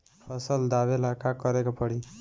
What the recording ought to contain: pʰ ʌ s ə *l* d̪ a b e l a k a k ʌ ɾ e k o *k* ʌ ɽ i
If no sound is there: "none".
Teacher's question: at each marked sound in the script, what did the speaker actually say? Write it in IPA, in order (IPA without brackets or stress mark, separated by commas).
l, p